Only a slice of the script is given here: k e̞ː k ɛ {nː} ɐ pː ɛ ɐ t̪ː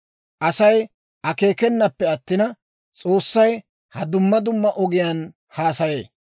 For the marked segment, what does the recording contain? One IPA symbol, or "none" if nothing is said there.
nː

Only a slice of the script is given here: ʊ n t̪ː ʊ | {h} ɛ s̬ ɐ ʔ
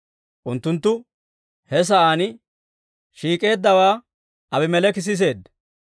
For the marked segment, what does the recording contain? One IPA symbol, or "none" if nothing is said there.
h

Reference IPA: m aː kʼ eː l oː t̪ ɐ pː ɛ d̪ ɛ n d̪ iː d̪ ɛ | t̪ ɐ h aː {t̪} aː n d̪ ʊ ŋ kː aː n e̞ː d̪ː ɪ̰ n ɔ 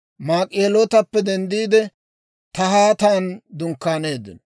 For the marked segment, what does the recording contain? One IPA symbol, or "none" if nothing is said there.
t̪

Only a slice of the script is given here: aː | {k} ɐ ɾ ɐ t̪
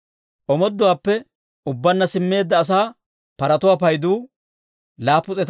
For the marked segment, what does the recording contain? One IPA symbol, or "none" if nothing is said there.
p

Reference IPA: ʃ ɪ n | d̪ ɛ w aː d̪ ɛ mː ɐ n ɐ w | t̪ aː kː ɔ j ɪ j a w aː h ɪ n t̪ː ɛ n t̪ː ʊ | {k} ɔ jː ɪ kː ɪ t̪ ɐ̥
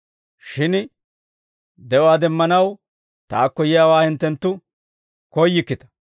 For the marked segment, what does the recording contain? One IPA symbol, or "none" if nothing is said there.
k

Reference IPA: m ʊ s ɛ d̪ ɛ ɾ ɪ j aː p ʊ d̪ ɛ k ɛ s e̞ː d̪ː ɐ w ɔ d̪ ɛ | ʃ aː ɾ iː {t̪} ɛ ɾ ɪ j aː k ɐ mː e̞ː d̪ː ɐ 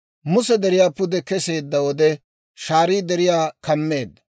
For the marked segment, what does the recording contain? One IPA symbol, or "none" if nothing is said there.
d̪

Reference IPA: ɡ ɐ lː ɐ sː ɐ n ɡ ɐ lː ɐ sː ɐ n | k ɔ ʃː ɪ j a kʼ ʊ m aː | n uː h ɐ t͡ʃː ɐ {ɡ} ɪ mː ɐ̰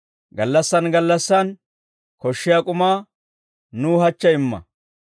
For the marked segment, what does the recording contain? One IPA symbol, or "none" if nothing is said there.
none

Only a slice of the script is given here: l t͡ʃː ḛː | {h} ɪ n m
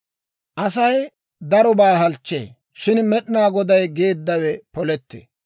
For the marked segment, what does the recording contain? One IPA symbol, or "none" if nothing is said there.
ʃ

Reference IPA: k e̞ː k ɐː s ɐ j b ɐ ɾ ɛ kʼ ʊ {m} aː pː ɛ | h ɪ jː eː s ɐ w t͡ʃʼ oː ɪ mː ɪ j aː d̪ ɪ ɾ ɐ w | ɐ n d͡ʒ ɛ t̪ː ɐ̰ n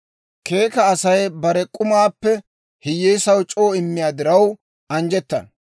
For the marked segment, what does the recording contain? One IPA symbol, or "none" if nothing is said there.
m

